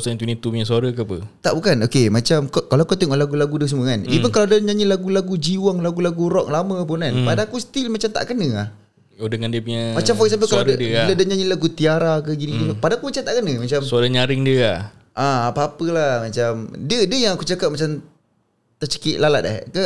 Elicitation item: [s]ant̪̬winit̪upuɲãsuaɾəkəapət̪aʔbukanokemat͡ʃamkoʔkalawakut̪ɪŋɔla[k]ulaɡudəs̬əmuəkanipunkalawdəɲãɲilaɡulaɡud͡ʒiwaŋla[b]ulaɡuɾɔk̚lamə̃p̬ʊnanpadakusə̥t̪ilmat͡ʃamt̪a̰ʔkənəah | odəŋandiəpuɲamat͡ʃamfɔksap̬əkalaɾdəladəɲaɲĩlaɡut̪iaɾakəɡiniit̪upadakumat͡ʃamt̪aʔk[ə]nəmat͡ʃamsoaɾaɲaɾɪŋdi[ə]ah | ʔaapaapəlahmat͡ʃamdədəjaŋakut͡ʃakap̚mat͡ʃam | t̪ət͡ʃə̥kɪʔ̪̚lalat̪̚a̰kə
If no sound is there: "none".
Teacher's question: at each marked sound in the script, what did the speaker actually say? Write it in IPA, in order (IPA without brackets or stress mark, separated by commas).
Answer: s, ɡ, ɡ, ə, ə